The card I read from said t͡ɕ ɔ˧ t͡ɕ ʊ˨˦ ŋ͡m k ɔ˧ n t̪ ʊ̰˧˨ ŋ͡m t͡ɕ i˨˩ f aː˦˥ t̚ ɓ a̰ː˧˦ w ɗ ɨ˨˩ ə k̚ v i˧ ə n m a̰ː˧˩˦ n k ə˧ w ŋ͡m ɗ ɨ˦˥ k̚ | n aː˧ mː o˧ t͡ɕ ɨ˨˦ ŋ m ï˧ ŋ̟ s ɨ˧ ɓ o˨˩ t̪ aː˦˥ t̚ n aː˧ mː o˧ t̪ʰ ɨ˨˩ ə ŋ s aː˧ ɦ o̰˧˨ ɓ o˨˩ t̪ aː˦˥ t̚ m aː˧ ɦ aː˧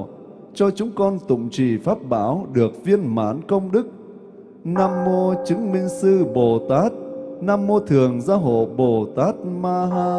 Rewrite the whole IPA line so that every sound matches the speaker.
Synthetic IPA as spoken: t͡ɕ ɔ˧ t͡ɕ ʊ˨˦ ŋ͡m k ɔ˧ n t̪ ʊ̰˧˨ ŋ͡m t͡ɕ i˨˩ f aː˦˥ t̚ ɓ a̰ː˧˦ w ɗ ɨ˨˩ ə k̚ v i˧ ə n m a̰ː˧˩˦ n k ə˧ w ŋ͡m ɗ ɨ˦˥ k̚ | n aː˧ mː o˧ t͡ɕ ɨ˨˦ ŋ m ï˧ ŋ̟ s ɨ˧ ɓ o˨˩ t̪ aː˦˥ t̚ n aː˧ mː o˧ t̪ʰ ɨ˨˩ ə ŋ z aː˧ ɦ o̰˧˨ ɓ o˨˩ t̪ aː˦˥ t̚ m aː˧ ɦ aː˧